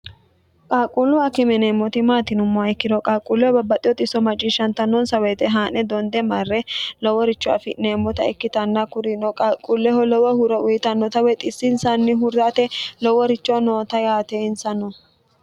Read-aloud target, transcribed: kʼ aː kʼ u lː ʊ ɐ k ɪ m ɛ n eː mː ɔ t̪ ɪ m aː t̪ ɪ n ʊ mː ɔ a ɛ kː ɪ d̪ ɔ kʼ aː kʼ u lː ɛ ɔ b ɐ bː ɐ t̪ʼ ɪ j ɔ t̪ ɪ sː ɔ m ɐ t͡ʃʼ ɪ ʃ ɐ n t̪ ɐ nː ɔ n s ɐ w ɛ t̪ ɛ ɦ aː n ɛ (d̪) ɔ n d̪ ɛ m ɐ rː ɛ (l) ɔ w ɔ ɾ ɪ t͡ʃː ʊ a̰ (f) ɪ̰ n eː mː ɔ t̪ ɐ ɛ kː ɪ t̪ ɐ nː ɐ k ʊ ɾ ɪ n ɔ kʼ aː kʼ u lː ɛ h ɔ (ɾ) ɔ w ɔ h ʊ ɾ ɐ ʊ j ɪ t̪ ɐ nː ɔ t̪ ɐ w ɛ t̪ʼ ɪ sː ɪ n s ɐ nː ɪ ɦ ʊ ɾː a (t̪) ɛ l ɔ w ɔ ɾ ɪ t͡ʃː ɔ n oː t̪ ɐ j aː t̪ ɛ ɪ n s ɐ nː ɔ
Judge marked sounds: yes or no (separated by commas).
yes, yes, yes, no, yes